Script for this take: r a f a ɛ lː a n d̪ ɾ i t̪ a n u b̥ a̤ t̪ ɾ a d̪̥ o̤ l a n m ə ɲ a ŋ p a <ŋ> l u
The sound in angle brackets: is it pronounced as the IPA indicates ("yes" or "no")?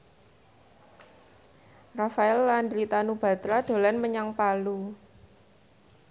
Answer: no